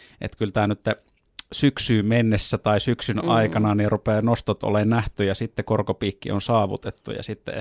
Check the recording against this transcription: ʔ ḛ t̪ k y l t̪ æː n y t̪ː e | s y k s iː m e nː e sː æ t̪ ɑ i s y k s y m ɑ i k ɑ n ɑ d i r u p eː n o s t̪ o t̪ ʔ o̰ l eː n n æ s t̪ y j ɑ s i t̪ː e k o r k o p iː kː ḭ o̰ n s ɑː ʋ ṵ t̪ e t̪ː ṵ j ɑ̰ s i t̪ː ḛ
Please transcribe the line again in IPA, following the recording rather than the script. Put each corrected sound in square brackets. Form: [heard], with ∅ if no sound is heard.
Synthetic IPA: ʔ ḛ t̪ k y l t̪ æː n y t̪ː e | s y k s [yː] m e nː e sː æ t̪ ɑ i s y k s y [n] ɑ i k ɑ n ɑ [n] i r u p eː n o s t̪ o t̪ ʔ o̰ l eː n n æ [h] t̪ y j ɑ s i t̪ː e k o r k o p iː kː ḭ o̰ n s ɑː ʋ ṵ t̪ e t̪ː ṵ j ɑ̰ s i t̪ː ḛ